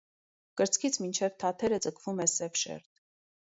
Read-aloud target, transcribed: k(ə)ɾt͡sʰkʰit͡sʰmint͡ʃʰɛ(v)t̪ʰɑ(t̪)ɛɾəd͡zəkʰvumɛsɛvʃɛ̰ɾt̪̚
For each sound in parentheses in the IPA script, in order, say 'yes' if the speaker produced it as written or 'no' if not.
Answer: yes, yes, no

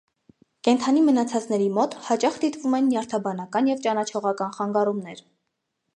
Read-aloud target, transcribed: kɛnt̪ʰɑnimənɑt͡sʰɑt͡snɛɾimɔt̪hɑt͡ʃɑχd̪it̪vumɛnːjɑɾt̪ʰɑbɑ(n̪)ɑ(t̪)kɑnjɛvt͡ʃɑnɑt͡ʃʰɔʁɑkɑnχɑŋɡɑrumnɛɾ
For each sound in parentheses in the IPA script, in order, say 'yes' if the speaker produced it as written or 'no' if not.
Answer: yes, no

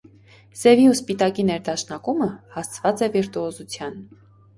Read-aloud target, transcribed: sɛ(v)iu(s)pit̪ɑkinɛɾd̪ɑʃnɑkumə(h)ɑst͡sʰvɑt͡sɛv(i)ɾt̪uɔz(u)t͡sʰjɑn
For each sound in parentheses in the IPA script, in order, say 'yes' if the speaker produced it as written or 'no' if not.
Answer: yes, yes, yes, yes, yes

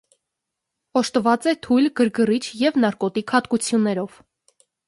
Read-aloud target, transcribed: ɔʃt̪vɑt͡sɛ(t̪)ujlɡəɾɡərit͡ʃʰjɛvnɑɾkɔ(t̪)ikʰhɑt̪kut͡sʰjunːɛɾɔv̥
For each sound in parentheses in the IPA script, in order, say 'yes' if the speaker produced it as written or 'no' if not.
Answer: no, yes

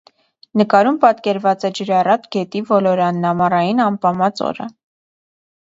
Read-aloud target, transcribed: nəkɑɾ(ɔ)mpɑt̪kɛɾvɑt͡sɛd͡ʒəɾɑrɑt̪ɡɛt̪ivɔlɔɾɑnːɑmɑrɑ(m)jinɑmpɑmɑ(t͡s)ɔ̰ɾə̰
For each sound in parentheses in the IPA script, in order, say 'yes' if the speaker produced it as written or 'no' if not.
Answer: no, no, yes

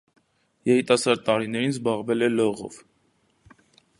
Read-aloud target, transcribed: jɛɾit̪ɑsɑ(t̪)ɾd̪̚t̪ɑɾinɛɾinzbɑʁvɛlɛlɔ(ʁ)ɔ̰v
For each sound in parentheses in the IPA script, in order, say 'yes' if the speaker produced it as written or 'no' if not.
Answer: no, yes

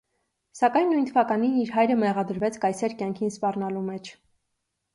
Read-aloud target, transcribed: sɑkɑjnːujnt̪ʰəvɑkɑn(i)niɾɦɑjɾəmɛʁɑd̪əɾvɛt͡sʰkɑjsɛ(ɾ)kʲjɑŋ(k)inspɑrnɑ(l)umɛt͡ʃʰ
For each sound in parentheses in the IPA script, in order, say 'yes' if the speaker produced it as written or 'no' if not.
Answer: yes, yes, no, yes

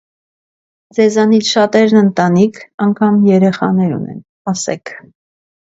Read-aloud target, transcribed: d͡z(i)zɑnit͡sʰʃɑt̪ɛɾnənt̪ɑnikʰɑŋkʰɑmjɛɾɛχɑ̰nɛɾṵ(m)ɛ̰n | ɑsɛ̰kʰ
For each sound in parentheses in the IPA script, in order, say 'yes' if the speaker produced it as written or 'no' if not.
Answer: no, no

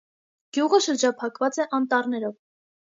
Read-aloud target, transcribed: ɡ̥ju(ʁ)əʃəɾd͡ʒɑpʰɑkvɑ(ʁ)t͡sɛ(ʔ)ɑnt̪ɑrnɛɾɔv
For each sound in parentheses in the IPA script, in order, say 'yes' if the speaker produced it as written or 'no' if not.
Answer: yes, no, yes

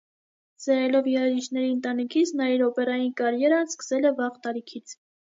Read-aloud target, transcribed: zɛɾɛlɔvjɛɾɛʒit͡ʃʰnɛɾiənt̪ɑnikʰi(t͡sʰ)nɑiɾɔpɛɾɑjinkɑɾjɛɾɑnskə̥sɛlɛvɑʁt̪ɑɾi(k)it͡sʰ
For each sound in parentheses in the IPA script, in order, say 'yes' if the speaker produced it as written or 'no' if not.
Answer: yes, no

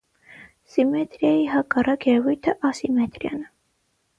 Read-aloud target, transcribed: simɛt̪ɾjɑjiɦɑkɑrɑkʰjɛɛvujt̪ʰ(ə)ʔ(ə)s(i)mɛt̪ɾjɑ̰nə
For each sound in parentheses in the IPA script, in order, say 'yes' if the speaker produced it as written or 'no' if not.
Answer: yes, no, yes

